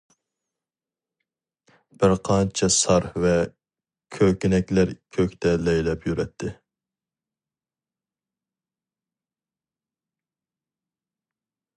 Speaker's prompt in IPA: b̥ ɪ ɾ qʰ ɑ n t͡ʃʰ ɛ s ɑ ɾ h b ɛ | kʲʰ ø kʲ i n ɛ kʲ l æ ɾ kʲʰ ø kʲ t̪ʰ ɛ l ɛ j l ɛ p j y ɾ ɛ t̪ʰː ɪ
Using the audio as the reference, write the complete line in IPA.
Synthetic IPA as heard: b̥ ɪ ɾ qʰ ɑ n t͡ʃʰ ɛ s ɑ ɾ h v ɛ | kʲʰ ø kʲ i n ɛ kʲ l æ ɾ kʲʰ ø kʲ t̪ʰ ɛ l ɛ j l ɛ p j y ɾ ɛ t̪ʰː ɪ